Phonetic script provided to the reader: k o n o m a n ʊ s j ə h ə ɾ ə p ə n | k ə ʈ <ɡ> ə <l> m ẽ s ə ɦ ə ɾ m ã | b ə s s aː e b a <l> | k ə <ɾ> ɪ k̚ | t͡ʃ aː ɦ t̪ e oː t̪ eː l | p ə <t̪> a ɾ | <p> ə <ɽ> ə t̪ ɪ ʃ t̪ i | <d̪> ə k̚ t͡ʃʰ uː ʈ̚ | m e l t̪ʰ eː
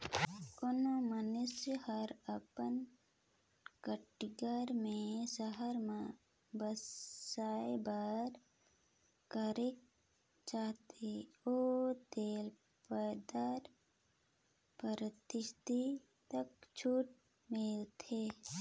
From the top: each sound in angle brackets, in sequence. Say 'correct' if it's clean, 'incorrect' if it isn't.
correct, incorrect: ɾ, incorrect: ɾ, correct, incorrect: d̪, correct, incorrect: ɾ, incorrect: t̪

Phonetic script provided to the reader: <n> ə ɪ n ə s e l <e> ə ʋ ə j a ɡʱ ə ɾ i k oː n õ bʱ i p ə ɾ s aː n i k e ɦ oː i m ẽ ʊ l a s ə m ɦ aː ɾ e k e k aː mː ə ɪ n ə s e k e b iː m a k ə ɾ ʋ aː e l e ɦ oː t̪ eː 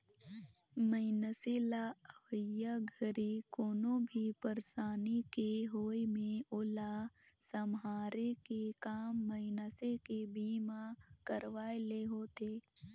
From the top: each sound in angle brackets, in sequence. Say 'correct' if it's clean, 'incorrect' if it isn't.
incorrect: m, incorrect: a

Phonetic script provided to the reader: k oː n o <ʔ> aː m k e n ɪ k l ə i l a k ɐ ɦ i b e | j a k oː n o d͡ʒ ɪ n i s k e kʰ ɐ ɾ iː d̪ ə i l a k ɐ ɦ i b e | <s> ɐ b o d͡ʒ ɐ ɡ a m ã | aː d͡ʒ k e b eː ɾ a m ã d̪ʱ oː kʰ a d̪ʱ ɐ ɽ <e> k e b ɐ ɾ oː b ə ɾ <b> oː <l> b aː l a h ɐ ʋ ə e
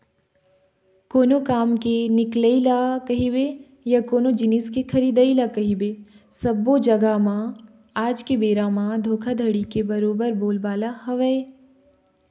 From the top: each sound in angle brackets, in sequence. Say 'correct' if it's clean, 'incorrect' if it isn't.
incorrect: k, correct, incorrect: i, correct, correct

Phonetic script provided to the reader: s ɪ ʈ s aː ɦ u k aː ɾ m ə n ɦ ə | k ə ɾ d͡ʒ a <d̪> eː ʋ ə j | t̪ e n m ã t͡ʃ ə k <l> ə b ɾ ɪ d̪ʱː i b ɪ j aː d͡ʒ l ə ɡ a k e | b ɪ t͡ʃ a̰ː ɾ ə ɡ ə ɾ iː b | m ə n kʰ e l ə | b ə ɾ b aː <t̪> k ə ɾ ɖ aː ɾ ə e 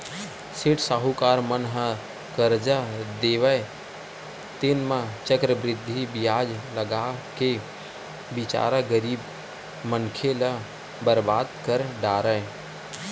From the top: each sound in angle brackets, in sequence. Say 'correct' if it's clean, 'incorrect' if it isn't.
correct, incorrect: ɾ, incorrect: d̪

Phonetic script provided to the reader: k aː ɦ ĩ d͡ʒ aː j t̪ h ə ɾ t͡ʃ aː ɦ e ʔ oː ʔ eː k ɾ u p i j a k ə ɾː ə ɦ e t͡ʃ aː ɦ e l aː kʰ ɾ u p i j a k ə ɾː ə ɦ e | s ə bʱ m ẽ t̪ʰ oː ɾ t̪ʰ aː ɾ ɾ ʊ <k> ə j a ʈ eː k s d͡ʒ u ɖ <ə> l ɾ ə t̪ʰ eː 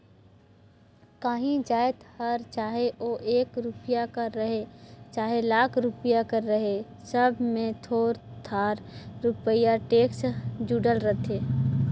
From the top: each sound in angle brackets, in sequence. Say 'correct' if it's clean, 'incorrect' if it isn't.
incorrect: p, correct

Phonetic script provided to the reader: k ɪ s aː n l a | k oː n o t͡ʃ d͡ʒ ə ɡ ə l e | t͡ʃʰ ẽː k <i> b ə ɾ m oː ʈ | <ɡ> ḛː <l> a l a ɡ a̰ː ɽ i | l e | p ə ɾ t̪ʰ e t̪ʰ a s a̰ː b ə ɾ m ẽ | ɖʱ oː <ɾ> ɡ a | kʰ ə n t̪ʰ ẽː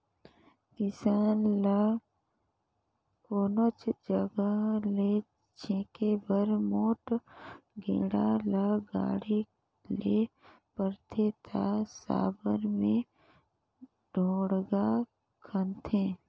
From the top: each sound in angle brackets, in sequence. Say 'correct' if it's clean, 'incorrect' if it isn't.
incorrect: e, correct, incorrect: ɽ, incorrect: ɽ

